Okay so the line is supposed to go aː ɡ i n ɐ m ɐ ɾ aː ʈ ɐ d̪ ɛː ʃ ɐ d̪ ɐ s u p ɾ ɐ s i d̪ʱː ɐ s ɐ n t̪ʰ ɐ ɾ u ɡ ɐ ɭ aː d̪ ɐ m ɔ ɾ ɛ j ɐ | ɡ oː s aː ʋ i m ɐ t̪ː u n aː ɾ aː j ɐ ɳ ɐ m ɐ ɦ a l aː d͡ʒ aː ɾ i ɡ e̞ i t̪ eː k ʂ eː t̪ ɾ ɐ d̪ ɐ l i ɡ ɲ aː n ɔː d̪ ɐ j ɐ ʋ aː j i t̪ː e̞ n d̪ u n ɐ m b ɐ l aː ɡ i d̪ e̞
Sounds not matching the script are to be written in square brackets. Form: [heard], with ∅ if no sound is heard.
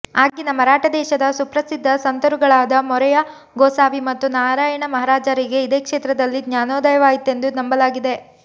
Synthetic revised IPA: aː ɡ i n ɐ m ɐ ɾ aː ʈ ɐ d̪ ɛː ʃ ɐ d̪ ɐ s u p ɾ ɐ s i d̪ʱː ɐ s ɐ n [t̪] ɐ ɾ u ɡ ɐ ɭ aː d̪ ɐ m ɔ ɾ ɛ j ɐ | ɡ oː s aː ʋ i m ɐ t̪ː u n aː ɾ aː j ɐ ɳ ɐ m ɐ ɦ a [ɾ] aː d͡ʒ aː ɾ i ɡ e̞ i [d̪] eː k ʂ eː t̪ ɾ ɐ d̪ ɐ [lː] i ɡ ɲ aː n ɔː d̪ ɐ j ɐ ʋ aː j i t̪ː e̞ n d̪ u n ɐ m b ɐ l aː ɡ i d̪ e̞